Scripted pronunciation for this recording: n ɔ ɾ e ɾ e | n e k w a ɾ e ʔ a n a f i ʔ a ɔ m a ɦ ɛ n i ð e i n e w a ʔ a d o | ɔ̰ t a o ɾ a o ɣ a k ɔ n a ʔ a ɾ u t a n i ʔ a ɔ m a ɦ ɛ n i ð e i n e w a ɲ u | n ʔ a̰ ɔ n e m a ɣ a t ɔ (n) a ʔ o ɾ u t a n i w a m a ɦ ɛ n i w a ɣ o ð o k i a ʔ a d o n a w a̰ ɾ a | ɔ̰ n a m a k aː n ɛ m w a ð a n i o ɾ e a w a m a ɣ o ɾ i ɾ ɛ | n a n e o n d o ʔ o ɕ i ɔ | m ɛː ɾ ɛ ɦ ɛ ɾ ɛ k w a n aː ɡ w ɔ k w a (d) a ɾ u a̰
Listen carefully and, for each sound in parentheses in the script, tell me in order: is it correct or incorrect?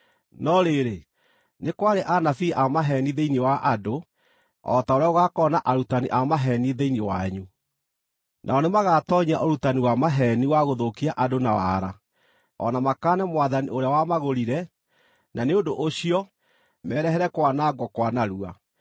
incorrect, incorrect

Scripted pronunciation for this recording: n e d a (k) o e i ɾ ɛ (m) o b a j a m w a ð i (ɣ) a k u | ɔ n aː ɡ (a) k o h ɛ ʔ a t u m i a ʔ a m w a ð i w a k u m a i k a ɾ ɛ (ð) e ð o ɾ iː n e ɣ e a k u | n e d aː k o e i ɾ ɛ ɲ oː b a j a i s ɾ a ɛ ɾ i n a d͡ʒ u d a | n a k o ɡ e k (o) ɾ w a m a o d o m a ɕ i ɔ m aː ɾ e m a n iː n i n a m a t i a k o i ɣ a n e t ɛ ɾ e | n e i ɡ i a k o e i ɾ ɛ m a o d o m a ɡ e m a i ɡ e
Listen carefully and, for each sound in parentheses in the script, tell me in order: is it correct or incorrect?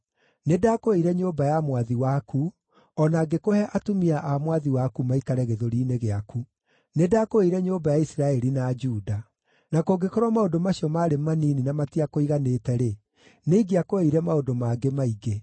correct, incorrect, incorrect, incorrect, incorrect, incorrect

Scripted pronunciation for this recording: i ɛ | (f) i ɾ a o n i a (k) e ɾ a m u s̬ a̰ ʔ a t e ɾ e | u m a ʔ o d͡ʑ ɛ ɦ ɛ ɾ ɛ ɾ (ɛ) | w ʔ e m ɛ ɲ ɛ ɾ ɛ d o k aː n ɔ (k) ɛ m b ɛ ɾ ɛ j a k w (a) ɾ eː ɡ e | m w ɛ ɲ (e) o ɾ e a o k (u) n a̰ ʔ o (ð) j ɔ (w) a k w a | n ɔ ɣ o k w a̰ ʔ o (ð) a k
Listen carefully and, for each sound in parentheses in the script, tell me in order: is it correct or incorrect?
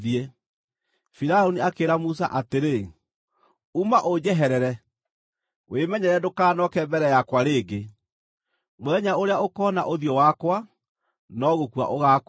correct, correct, correct, correct, correct, incorrect, incorrect, correct, correct, incorrect

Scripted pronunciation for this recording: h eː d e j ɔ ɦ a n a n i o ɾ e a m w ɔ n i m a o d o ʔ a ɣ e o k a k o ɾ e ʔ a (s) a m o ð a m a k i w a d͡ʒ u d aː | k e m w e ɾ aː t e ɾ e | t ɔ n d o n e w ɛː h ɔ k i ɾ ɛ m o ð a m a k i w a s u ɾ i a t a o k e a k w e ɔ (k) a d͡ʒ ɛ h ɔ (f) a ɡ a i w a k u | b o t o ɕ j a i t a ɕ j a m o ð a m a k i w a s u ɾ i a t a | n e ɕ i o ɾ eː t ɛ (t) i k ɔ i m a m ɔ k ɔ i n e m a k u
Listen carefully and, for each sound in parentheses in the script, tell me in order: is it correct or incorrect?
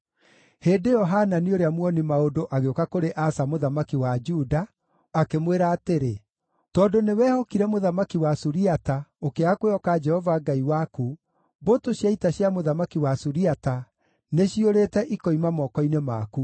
correct, correct, incorrect, incorrect

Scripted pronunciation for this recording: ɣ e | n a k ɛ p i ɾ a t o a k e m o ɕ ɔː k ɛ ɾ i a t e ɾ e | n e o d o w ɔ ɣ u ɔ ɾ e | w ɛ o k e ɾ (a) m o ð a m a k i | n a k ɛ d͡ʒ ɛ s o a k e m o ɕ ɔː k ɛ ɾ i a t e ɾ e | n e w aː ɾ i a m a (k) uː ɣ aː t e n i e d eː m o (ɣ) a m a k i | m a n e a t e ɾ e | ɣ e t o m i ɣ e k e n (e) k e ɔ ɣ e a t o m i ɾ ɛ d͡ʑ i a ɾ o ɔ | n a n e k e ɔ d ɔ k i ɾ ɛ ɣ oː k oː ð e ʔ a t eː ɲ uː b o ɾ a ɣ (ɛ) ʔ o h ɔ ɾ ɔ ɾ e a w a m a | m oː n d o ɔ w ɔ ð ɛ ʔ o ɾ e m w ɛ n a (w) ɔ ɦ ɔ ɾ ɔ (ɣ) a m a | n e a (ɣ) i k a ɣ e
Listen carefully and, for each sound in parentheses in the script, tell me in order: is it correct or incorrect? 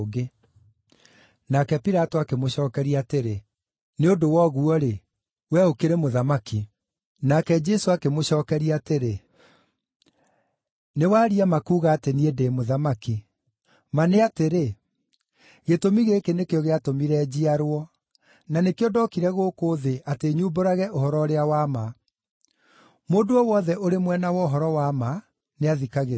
incorrect, correct, incorrect, correct, correct, correct, incorrect, incorrect

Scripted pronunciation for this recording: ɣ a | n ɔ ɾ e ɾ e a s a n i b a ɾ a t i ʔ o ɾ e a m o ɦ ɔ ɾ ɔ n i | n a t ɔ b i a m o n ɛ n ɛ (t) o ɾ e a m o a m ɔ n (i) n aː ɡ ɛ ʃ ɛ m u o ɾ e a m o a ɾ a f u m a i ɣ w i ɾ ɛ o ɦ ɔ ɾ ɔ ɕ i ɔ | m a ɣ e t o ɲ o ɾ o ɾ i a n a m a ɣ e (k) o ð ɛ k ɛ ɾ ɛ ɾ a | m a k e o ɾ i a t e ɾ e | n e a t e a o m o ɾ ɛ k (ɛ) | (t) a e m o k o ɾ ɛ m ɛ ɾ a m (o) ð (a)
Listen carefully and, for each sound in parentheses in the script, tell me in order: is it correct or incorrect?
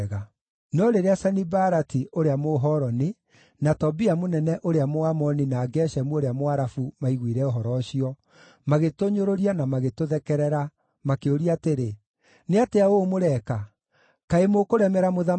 incorrect, correct, incorrect, incorrect, incorrect, correct, correct

